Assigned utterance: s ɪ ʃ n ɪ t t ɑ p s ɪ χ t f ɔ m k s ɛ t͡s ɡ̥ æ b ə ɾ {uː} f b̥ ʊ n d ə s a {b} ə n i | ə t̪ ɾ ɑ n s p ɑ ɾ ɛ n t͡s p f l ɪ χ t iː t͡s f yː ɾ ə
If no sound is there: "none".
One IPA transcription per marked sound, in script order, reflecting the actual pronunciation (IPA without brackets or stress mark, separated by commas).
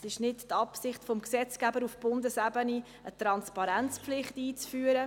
u, b